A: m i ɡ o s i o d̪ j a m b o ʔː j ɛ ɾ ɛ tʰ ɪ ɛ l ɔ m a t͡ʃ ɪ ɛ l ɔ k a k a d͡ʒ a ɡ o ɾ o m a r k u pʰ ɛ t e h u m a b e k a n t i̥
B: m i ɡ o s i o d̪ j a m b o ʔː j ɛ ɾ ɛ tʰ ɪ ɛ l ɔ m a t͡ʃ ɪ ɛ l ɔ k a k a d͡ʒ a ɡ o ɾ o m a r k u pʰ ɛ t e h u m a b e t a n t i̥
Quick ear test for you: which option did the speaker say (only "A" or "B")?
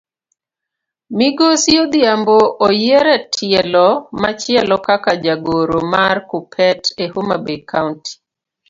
A